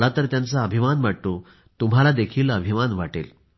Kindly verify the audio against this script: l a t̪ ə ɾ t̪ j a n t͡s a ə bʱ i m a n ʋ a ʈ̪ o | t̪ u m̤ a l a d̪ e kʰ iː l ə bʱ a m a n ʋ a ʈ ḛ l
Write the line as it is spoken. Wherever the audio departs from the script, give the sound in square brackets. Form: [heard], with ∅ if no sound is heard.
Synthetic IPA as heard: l a t̪ ə ɾ t̪ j a n t͡s a ə bʱ i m a n ʋ a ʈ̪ o | t̪ u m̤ a l a d̪ e kʰ iː l ə bʱ [i] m a n ʋ a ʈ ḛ l

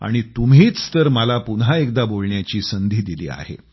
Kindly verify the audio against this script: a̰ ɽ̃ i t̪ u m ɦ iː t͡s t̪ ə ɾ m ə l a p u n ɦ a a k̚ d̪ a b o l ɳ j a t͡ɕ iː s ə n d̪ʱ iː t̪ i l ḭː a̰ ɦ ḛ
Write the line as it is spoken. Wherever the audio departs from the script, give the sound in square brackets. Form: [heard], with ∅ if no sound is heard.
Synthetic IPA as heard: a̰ ɽ̃ i t̪ u m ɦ iː t͡s t̪ ə ɾ m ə l a p u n ɦ a [e] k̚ d̪ a b o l ɳ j a t͡ɕ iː s ə n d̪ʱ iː [d̪] i l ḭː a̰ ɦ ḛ

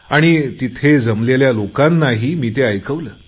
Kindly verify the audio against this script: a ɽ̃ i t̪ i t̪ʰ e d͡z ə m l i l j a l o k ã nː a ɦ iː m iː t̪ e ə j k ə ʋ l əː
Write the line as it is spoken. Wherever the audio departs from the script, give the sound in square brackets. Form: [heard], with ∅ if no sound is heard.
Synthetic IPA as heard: a ɽ̃ i t̪ i t̪ʰ e d͡z ə m l [e] l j a l o k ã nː a ɦ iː m iː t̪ e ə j k ə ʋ l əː

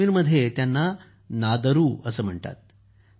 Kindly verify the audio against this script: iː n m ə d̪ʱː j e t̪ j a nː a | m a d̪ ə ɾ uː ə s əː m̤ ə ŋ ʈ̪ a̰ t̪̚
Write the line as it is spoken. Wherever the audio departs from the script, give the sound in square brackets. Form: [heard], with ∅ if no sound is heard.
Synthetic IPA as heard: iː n m ə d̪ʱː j e t̪ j a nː a | [n] a d̪ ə ɾ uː ə s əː m̤ ə [ɳ] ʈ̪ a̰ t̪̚

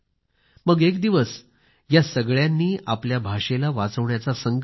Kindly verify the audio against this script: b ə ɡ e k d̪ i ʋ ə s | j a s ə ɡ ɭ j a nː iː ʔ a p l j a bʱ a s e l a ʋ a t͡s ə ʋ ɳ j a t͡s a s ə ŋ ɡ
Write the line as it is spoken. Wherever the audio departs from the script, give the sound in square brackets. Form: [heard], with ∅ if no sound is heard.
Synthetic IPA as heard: [m] ə ɡ e k d̪ i ʋ ə s | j a s ə ɡ ɭ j a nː iː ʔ a p l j a bʱ a [ʂ] e l a ʋ a t͡s ə ʋ ɳ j a t͡s a s ə ŋ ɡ

